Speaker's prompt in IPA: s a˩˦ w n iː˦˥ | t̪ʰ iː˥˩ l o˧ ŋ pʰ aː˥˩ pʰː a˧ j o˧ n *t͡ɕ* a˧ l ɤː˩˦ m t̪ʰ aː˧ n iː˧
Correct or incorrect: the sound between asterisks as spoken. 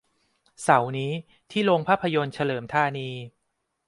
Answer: incorrect: t͡ɕʰ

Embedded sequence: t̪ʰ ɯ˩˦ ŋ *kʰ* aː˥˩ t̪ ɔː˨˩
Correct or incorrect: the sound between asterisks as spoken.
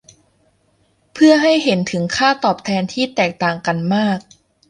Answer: correct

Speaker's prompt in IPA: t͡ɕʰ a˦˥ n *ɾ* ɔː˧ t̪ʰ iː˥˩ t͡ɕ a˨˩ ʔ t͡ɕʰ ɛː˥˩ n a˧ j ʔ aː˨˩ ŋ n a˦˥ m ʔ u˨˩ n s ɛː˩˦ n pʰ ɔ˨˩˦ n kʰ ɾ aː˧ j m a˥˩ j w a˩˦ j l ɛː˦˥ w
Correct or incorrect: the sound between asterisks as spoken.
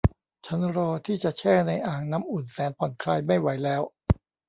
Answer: correct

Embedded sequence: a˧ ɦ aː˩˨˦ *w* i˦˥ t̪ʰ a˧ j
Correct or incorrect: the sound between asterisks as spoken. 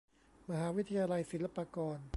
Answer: correct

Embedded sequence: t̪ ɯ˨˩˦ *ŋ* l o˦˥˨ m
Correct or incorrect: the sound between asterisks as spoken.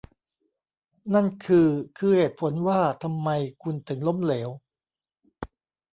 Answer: correct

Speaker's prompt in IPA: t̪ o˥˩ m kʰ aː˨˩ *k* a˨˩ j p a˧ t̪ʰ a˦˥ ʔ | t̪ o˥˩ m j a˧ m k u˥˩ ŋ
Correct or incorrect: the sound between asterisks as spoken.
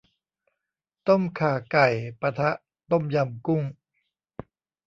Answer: correct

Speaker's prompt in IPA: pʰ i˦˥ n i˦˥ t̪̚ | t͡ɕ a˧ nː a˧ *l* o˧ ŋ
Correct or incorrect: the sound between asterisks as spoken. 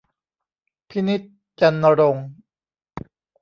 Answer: incorrect: ɾ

